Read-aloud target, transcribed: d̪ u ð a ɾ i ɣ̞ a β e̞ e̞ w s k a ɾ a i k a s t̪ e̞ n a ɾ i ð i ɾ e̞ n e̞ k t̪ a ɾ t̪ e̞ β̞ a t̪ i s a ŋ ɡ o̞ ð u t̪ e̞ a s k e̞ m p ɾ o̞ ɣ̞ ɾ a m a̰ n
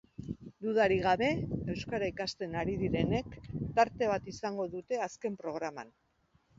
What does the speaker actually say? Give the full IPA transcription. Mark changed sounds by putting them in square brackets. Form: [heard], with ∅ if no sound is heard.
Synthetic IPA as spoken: d̪ u ð a ɾ i ɣ̞ a β e̞ e̞ w s k a ɾ a i k a s t̪ e̞ n a ɾ i ð i ɾ e̞ n e̞ k t̪ a ɾ t̪ e̞ β̞ a t̪ i s a ŋ ɡ o̞ ð u t̪ e̞ a s k e̞ m p ɾ o̞ ɣ̞ ɾ a m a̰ n